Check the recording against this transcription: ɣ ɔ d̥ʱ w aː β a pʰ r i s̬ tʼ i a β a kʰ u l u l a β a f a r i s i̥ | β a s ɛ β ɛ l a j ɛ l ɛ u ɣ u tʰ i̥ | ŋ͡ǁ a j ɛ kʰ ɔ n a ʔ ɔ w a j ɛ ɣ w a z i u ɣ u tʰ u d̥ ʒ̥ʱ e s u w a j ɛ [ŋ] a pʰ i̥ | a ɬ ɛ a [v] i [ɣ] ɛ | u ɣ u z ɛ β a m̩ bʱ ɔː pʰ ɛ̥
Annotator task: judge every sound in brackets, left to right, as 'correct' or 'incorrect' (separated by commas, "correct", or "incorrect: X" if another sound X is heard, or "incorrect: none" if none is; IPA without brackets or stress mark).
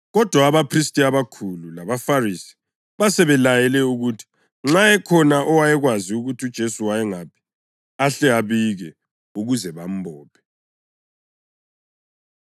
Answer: correct, incorrect: β, correct